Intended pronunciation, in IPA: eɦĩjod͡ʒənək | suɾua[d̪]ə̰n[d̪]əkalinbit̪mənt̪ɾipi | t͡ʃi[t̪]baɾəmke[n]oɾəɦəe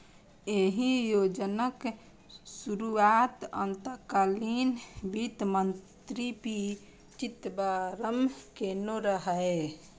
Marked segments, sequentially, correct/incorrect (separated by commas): incorrect, incorrect, correct, correct